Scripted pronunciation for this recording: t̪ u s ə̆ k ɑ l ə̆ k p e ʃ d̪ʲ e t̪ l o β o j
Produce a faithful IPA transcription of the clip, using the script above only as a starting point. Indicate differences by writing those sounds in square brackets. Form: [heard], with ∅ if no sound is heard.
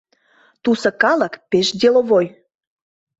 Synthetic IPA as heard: t̪ u s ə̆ k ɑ l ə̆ k p e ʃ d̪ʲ e [∅] l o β o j